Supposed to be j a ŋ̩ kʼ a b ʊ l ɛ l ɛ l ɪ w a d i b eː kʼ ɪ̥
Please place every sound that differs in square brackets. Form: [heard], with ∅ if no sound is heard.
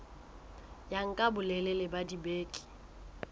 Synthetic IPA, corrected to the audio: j a ŋ̩ kʼ a b ʊ l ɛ l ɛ l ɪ [b] a d i b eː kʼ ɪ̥